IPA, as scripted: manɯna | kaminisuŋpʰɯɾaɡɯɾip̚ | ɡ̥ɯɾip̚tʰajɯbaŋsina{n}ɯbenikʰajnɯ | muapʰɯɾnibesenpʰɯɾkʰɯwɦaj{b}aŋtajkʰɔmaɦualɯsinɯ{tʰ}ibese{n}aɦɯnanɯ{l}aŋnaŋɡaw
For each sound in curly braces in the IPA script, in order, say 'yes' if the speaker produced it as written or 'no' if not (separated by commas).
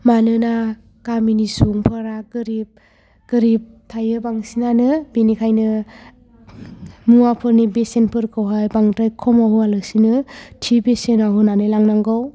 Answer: yes, yes, yes, yes, yes